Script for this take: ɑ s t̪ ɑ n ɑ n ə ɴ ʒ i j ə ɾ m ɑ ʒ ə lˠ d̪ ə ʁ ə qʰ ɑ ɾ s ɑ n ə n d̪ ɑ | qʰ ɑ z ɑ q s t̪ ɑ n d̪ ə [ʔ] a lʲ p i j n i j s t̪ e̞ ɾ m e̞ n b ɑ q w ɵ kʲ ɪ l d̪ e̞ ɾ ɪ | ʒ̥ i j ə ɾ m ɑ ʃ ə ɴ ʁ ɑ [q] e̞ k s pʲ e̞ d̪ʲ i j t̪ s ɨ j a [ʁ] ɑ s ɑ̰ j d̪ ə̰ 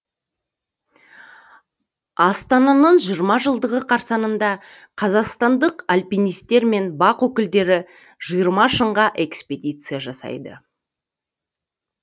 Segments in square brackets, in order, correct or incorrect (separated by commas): incorrect, incorrect, incorrect